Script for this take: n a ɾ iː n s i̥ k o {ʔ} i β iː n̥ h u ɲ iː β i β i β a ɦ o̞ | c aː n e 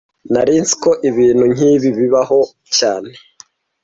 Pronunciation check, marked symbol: correct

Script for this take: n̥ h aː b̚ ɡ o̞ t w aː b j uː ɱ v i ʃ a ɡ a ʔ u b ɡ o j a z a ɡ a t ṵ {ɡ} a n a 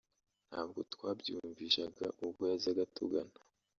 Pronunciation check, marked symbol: correct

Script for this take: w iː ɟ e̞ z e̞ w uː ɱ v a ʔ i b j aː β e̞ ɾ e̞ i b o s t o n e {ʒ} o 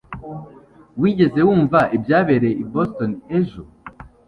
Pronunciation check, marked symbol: correct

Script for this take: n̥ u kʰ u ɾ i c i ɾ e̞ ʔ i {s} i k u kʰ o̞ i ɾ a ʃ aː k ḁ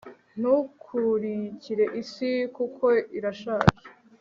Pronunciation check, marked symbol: correct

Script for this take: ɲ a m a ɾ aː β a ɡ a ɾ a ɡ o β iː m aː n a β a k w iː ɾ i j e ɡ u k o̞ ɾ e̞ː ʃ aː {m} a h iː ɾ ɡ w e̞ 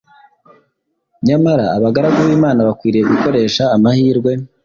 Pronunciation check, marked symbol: correct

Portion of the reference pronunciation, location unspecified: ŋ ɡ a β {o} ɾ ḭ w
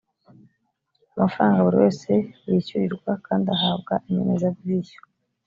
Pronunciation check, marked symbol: incorrect: u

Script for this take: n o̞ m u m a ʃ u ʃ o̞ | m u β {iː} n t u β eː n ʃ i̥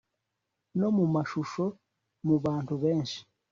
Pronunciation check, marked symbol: incorrect: aː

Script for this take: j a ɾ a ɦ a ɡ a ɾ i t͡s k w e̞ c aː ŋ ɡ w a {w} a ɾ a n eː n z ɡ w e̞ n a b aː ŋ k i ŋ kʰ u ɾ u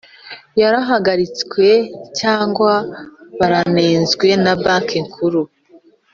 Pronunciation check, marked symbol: incorrect: β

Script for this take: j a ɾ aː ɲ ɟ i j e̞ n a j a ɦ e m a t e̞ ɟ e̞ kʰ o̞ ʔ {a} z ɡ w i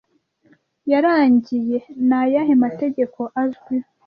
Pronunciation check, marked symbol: correct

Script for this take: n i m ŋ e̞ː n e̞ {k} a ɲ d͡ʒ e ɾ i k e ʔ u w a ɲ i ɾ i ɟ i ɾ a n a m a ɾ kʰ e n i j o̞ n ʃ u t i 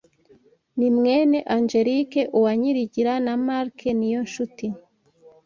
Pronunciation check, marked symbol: incorrect: ʔ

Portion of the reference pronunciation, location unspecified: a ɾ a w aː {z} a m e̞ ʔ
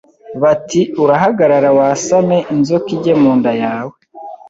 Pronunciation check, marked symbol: incorrect: s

